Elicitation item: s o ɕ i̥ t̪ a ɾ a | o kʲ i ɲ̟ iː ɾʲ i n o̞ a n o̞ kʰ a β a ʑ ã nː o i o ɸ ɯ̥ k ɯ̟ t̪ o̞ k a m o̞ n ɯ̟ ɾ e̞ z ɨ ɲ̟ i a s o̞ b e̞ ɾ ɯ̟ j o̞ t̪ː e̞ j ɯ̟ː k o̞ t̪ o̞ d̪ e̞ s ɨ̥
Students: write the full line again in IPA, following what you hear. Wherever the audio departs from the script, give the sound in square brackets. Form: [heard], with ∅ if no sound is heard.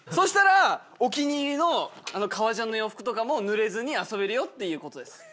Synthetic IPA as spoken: s o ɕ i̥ t̪ a ɾ a | o kʲ i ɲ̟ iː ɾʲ i n o̞ a n o̞ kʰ a β a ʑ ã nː o [j] o ɸ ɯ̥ k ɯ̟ t̪ o̞ k a m o̞ n ɯ̟ ɾ e̞ z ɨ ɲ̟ i a s o̞ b e̞ ɾ ɯ̟ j o̞ t̪ː e̞ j ɯ̟ː k o̞ t̪ o̞ d̪ e̞ s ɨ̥

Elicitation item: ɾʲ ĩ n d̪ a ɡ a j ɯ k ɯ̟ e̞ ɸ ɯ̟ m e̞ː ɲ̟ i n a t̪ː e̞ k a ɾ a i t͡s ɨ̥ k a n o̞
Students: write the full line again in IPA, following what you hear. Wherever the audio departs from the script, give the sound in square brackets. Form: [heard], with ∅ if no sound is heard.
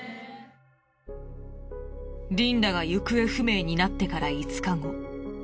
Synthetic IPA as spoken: ɾʲ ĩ n d̪ a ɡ a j ɯ k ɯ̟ e̞ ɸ ɯ̟ m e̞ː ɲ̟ i n a t̪ː e̞ k a ɾ a i t͡s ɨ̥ k a [ŋ] o̞

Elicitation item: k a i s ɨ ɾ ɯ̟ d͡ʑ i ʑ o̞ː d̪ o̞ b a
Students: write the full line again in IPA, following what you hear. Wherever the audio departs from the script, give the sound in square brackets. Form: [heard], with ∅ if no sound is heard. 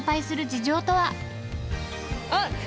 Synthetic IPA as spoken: [p] a i s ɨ ɾ ɯ̟ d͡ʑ i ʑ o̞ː [t̪] o̞ [β] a

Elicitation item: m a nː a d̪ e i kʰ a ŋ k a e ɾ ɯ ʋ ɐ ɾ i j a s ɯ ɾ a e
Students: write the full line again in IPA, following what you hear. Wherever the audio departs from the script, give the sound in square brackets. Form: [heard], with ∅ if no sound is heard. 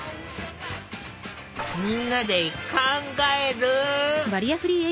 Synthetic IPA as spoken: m [i] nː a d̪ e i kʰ a ŋ [ɡ] a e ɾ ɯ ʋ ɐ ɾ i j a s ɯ ɾ [i] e

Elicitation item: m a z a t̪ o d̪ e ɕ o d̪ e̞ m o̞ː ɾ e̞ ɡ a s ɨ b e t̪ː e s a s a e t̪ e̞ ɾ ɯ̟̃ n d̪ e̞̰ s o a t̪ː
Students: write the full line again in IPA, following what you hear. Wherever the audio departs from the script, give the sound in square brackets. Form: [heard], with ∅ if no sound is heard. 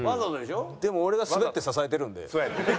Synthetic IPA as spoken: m a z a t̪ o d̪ e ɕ o d̪ e̞ m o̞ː ɾ e̞ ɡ a s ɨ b e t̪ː e s a s a e t̪ e̞ ɾ ɯ̟̃ n d̪ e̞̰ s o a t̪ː

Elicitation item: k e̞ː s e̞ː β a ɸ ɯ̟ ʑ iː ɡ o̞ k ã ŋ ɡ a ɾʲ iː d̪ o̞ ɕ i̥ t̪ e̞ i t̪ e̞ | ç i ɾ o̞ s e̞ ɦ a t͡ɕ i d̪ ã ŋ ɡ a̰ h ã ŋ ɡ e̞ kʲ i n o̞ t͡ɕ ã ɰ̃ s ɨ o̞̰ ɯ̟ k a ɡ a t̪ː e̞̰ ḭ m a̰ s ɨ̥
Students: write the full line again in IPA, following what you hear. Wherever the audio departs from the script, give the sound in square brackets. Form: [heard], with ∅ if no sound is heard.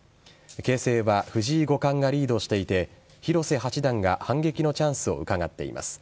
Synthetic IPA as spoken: k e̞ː s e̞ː β a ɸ ɯ̟ ʑ iː ɡ o̞ k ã ŋ ɡ a ɾʲ iː d̪ o̞ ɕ i̥ t̪ e̞ i t̪ e̞ | ç i ɾ o̞ s e̞ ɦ a t͡ɕ i d̪ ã ŋ ɡ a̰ h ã ŋ ɡ e̞ kʲ i n o̞ t͡ɕ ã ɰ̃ s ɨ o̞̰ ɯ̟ k a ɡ a t̪ː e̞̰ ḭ m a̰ s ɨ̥

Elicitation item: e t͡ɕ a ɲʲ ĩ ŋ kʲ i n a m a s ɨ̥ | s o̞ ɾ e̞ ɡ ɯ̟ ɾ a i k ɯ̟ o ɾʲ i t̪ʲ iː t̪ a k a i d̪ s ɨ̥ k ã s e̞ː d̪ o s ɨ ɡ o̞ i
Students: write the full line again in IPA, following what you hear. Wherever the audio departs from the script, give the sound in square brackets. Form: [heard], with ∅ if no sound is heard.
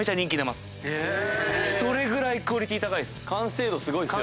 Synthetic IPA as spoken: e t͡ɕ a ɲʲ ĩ ŋ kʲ i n a m a s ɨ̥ | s o̞ ɾ e̞ ɡ ɯ̟ ɾ a i k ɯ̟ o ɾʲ i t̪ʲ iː t̪ a k a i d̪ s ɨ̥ k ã s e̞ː d̪ o s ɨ ɡ o̞ i

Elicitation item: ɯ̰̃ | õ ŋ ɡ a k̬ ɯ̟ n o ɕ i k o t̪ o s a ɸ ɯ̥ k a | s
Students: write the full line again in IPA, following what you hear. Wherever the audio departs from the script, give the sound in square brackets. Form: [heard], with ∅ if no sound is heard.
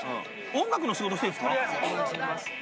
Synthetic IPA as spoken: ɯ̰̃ | õ ŋ ɡ a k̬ ɯ̟ n o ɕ i [ɡ] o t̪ o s [e] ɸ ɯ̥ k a | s

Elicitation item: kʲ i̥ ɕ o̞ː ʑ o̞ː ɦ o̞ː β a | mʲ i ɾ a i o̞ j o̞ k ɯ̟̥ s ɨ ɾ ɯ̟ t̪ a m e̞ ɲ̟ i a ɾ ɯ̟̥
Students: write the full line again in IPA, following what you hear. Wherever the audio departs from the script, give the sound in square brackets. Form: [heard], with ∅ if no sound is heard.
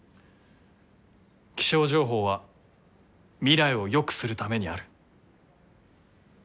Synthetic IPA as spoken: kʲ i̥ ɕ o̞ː ʑ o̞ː ɦ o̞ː β a | mʲ i ɾ a i o̞ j o̞ k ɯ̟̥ s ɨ ɾ ɯ̟ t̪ a m e̞ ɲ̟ i a ɾ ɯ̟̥

